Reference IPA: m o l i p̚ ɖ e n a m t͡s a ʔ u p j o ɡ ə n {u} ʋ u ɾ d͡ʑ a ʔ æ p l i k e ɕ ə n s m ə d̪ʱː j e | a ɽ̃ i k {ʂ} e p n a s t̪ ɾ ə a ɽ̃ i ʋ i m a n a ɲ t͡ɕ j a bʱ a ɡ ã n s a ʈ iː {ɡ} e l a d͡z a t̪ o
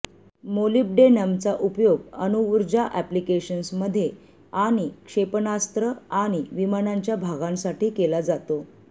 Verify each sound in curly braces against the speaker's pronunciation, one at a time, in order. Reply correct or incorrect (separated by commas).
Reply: correct, correct, incorrect